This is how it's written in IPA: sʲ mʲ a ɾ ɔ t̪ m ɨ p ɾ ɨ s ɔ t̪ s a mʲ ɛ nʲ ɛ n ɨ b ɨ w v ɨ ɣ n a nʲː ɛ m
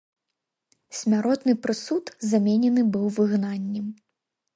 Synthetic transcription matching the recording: sʲ mʲ a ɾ ɔ t̪ n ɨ p ɾ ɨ s u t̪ z a mʲ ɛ nʲ ɛ n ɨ b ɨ w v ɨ ɣ n a nʲː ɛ m